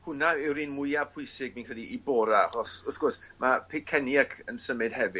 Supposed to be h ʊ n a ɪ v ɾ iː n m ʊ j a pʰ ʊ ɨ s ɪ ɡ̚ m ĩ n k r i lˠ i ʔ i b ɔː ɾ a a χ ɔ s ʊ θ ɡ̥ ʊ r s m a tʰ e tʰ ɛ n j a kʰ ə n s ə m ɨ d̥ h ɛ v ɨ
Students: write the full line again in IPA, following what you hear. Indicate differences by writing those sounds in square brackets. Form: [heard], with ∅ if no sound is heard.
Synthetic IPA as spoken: h ʊ n a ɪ [w] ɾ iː n m ʊ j a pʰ ʊ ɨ s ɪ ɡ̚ m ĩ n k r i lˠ i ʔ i b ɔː ɾ a a χ ɔ s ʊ θ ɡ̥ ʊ r s m a [pʰ] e [kʰ] ɛ n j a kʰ ə n s ə m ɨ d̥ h ɛ v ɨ